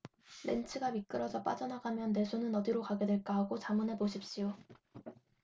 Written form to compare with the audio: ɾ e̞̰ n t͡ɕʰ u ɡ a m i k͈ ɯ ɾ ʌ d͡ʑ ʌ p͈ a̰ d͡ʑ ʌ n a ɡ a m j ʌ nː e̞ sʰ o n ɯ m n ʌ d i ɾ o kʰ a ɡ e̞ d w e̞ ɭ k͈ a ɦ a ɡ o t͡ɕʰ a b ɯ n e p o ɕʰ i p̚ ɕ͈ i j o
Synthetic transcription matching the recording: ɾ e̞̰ n t͡ɕʰ ɯ ɡ a m i k͈ ɯ ɾ ʌ d͡ʑ ʌ p͈ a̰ d͡ʑ ʌ n a ɡ a m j ʌ nː e̞ sʰ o n ɯ n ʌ d i ɾ o k a ɡ e̞ d w e̞ ɭ k͈ a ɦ a ɡ o t͡ɕ a m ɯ n e p o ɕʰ i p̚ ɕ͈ i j o